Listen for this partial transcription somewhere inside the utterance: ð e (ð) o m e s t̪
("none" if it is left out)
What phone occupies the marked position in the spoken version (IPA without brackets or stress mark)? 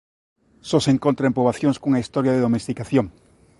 ð